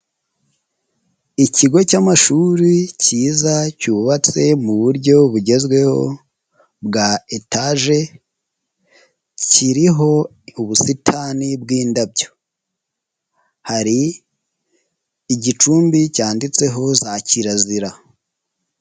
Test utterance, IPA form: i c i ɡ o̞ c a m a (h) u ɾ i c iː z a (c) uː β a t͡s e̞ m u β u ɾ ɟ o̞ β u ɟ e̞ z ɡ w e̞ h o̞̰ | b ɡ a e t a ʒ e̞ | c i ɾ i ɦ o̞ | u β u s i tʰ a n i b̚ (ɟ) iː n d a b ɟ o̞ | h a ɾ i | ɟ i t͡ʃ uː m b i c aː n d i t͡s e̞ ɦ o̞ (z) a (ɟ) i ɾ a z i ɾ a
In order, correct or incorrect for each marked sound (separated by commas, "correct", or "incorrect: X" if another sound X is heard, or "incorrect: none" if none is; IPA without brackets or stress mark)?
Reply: incorrect: ʃ, correct, incorrect: ɡ, correct, incorrect: c